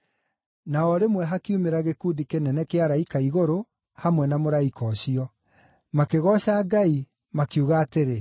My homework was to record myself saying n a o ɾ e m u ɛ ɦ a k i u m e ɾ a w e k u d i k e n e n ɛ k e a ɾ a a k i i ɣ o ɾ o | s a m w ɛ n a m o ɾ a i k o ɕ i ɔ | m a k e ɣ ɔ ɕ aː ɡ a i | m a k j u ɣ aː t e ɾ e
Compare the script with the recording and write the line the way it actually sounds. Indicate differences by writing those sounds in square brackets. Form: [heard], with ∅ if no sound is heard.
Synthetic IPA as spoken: n a [ɔ] ɾ e m [w] ɛ ɦ a k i u m e ɾ a [ɣ] e k u d i k e n [ɛ] n ɛ k e a ɾ a [i] k [a] i ɣ o ɾ o | [h] a m w ɛ n a m o ɾ a i k [ɔ] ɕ i ɔ | m a k e ɣ ɔ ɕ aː ɡ a i | m a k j u ɣ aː t e ɾ e